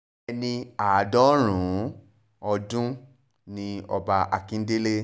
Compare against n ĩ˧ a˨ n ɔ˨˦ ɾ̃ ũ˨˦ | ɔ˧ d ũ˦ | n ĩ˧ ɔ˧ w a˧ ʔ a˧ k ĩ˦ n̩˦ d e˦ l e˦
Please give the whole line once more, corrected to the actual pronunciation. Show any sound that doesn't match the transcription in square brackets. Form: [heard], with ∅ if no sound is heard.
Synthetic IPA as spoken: n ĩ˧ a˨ [d] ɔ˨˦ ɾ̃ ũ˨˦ | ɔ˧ d ũ˦ | n ĩ˧ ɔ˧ [b] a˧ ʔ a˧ k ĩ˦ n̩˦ d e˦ l e˦